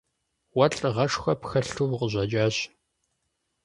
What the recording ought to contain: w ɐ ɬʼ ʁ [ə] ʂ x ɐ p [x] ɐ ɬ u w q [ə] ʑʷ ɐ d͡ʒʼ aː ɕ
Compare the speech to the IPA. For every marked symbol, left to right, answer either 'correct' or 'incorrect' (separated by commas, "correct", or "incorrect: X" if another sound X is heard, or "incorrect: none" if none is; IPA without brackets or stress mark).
incorrect: ɐ, correct, correct